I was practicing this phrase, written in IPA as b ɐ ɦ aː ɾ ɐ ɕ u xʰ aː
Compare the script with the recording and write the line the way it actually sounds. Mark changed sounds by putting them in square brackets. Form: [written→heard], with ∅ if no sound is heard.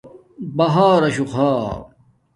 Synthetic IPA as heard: b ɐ ɦ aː ɾ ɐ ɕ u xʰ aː